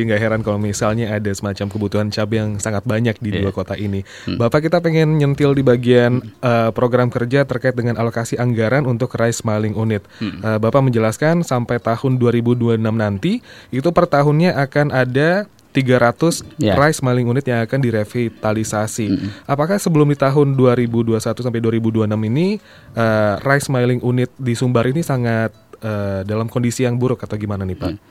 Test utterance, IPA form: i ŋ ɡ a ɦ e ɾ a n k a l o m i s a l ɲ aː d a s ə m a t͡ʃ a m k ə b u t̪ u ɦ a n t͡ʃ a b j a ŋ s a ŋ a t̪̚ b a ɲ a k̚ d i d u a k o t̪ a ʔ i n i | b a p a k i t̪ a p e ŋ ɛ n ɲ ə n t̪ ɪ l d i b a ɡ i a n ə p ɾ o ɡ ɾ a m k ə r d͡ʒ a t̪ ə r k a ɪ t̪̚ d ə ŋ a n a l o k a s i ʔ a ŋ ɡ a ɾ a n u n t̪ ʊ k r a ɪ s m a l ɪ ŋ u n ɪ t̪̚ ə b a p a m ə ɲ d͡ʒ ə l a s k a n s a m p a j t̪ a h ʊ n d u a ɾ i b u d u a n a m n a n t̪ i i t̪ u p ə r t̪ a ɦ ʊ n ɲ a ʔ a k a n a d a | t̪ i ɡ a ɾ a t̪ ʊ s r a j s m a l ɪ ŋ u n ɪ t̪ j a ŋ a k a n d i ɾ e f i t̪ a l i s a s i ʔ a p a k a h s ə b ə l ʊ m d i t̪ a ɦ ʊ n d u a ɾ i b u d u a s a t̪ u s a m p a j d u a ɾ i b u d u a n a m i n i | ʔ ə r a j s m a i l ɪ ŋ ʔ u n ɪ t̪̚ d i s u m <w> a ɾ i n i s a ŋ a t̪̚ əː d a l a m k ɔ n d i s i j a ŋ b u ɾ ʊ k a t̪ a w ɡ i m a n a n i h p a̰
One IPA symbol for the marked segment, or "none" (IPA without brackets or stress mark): b